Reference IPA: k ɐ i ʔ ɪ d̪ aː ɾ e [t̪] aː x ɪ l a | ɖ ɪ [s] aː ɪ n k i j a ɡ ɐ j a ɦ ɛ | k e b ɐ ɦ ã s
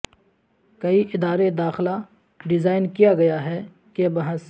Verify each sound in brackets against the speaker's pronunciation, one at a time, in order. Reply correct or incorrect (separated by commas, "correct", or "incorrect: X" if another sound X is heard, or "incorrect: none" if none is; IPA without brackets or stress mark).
incorrect: d̪, incorrect: z